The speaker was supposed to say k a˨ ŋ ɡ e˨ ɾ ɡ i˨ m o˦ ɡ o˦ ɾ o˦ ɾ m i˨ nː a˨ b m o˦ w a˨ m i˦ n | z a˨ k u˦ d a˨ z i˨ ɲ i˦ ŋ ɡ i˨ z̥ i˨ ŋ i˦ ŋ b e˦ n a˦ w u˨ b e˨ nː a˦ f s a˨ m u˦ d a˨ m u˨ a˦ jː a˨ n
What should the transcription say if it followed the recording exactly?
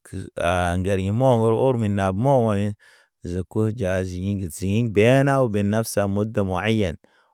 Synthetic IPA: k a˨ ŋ ɡ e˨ ɾ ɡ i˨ m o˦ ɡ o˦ ɾ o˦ ɾ m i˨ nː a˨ b m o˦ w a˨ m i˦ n | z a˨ k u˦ d͡ʒ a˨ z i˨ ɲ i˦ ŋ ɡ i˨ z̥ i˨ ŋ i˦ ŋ b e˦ n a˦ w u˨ b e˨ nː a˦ f s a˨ m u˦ d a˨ m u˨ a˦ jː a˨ n